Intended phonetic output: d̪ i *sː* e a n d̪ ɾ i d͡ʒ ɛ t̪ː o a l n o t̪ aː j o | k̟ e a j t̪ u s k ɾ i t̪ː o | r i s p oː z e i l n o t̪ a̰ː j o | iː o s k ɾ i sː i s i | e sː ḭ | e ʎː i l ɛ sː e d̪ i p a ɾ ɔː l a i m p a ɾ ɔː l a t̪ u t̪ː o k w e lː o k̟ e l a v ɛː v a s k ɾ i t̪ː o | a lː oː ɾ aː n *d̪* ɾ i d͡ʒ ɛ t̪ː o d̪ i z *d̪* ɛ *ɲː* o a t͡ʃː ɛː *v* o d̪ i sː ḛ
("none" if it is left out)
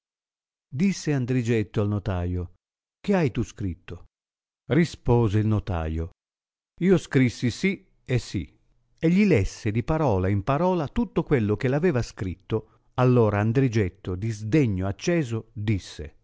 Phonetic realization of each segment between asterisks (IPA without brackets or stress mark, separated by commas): sː, d̪, d̪, ɲː, z